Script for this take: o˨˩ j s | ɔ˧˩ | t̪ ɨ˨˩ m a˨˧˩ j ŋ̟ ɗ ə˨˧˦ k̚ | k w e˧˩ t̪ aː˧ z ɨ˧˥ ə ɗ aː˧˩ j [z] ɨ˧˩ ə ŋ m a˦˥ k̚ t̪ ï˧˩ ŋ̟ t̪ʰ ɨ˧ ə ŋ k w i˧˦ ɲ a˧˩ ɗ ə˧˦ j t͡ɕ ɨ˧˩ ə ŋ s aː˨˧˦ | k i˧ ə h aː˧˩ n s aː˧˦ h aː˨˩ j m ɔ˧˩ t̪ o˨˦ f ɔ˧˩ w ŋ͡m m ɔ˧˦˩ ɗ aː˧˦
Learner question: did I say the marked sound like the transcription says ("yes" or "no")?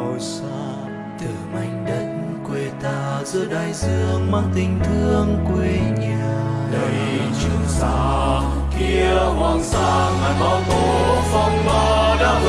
yes